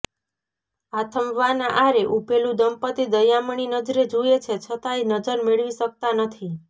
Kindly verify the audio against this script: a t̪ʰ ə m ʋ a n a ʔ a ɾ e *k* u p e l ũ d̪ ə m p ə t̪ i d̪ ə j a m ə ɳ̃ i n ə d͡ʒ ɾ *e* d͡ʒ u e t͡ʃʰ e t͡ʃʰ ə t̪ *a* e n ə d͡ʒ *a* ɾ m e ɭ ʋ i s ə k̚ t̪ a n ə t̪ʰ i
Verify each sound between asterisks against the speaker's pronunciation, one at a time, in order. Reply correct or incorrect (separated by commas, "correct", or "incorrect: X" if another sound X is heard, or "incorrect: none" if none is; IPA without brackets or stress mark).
incorrect: ʔ, correct, correct, incorrect: ə